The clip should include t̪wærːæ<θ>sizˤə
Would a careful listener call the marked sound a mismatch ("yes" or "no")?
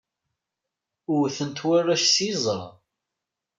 yes